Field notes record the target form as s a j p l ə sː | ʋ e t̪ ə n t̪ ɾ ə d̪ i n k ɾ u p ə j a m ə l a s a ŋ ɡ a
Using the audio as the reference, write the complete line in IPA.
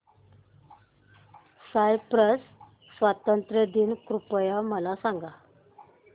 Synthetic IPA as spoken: s a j p ɾ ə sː | ʋ a t̪ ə n t̪ ɾ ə d̪ i n k ɾ u p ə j a m ə l a s a ŋ ɡ a